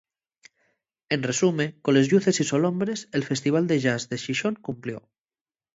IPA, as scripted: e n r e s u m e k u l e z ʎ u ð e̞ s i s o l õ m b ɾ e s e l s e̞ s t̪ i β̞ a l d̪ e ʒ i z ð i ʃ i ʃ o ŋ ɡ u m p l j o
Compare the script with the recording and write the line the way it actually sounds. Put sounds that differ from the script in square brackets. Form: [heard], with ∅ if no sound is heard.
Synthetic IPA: e n r e s u m e k [o] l e z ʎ u [θ] e̞ s i s o l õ m b ɾ e s e l [f] e̞ s t̪ i β̞ a l d̪ e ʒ [a] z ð [e] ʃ i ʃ o ŋ [k] u m p l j o

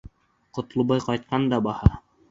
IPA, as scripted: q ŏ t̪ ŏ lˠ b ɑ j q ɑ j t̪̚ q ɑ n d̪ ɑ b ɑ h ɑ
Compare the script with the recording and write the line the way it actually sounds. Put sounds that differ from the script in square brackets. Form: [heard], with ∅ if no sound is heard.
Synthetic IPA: q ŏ t̪ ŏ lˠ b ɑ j q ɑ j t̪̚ q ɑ n d̪ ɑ b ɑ h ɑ

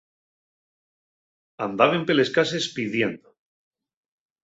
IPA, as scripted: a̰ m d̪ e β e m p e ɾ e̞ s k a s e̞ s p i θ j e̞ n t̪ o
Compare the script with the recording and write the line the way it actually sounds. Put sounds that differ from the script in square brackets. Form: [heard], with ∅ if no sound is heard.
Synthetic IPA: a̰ [n] d̪ [a] β e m p e [l] e̞ s k a s e̞ s p i [ð] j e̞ n [d̪] o

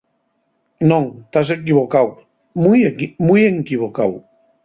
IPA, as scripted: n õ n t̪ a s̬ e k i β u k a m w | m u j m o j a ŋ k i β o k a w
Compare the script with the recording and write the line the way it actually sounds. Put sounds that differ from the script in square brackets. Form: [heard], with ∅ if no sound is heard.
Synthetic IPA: n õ [ŋ] t̪ a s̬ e k i β [o] k a [∅] w | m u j m [u] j [e] ŋ k i β o k a w

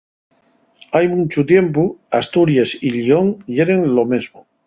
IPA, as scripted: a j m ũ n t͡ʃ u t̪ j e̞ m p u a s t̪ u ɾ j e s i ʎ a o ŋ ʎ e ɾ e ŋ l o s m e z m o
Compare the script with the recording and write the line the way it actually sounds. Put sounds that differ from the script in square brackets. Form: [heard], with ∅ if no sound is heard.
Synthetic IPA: a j m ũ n t͡ʃ u t̪ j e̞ m p u a s t̪ u ɾ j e s i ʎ [i] o ŋ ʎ e ɾ e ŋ l o [∅] m e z m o

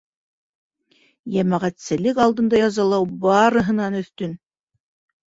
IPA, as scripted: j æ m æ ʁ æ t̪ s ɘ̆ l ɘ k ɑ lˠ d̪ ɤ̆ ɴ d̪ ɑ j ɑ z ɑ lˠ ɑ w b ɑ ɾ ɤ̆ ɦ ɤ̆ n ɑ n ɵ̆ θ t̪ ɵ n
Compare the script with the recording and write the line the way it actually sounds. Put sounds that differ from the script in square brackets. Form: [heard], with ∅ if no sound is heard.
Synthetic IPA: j æ m æ ʁ æ t̪ s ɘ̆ l ɘ k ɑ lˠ d̪ ɤ̆ [n] d̪ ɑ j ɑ z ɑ lˠ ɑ w b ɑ ɾ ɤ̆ ɦ ɤ̆ n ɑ n ɵ̆ θ t̪ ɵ n

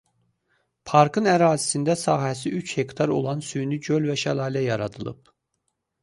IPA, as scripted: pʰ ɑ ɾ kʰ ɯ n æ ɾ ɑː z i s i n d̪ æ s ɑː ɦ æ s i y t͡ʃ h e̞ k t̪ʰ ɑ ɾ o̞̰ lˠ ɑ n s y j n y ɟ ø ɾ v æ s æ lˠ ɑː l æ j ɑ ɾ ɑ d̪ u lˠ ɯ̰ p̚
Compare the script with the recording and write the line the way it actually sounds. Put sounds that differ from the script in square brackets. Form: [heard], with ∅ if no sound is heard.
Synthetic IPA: pʰ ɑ ɾ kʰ ɯ n æ ɾ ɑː z i s i n d̪ æ s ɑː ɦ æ s i y t͡ʃ h e̞ k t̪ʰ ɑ ɾ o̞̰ lˠ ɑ n s y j n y ɟ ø [l] v æ [ʃ] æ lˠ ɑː l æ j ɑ ɾ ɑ d̪ [ɯ] lˠ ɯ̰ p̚

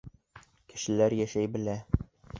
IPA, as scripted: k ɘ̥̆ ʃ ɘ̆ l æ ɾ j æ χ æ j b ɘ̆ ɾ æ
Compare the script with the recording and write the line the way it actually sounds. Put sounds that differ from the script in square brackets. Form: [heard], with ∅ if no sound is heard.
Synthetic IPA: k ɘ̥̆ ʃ ɘ̆ l æ ɾ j æ [ʃ] æ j b ɘ̆ [l] æ

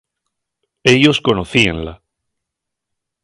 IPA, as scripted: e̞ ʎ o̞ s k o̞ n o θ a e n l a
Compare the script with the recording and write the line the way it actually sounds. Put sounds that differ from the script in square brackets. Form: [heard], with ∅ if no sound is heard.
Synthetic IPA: e̞ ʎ o̞ s k o̞ n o θ [i] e n l a

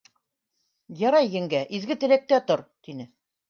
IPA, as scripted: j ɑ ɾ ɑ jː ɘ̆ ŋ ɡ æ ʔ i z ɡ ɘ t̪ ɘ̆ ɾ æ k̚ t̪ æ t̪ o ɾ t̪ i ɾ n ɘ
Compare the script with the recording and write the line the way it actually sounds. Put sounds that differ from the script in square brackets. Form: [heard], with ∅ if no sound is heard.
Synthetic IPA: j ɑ ɾ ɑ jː ɘ̆ ŋ ɡ æ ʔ i z ɡ ɘ t̪ ɘ̆ [l] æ k̚ t̪ æ t̪ o ɾ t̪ i [∅] n ɘ

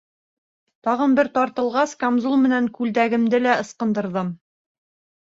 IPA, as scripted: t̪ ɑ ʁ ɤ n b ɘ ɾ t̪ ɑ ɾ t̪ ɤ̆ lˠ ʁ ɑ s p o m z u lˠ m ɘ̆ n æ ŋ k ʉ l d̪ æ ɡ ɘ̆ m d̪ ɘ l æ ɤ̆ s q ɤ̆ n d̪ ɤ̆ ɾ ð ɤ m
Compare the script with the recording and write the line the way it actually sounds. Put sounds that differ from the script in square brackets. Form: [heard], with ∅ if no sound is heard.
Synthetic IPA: t̪ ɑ ʁ ɤ n b ɘ ɾ t̪ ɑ ɾ t̪ ɤ̆ lˠ ʁ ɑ s [k] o m z u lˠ m ɘ̆ n æ ŋ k ʉ l d̪ æ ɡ ɘ̆ m d̪ ɘ l æ ɤ̆ s q ɤ̆ n d̪ ɤ̆ ɾ ð ɤ m

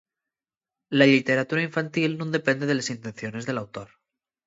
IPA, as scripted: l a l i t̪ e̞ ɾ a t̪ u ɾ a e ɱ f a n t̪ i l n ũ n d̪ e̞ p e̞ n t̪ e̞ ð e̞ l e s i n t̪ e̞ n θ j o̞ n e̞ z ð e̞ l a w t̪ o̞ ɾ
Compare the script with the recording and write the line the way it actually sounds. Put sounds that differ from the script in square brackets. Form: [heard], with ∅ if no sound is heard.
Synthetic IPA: l a l i t̪ e̞ ɾ a t̪ u ɾ a [i] ɱ f a n t̪ i l n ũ n d̪ e̞ p e̞ n [d̪] e̞ ð e̞ l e s i n t̪ e̞ n θ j o̞ n e̞ z ð e̞ l a w t̪ o̞ ɾ

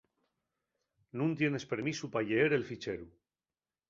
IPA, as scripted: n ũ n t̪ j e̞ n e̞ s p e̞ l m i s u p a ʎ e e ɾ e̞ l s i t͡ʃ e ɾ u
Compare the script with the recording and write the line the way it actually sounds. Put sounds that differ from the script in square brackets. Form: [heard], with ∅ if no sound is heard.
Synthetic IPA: n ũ n t̪ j e̞ n e̞ s p e̞ [ɾ] m i s u p a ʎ e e ɾ e̞ l [f] i t͡ʃ e ɾ u

